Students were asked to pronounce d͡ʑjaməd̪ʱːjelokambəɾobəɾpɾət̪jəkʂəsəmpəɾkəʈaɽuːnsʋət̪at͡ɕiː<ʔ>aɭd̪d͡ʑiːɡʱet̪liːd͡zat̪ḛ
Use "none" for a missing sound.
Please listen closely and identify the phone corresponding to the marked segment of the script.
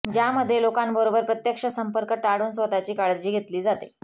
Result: k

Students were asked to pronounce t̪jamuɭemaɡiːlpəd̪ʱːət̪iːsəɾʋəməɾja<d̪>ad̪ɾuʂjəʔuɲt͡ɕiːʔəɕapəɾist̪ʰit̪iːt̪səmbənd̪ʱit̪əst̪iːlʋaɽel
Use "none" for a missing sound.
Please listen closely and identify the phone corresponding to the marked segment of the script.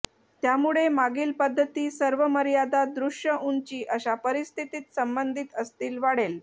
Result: d̪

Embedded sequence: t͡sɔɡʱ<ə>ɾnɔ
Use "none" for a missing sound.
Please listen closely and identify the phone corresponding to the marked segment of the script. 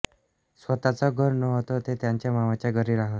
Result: ə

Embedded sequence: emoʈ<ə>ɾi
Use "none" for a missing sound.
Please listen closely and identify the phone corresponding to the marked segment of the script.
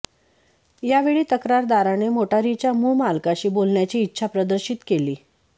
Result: a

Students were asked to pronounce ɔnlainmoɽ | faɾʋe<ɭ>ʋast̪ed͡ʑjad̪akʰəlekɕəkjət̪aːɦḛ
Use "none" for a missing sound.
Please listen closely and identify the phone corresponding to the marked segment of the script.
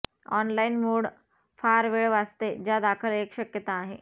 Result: ɭ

